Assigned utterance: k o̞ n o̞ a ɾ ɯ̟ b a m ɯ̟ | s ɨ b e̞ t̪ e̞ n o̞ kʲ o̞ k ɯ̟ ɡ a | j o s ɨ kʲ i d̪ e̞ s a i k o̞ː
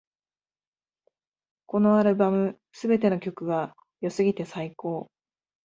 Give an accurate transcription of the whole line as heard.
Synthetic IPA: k o̞ n o̞ a ɾ ɯ̟ b a m ɯ̟ | s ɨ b e̞ t̪ e̞ n o̞ kʲ o̞ k ɯ̟ ɡ a | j o s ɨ ɡʲ i t̪ e̞ s a i k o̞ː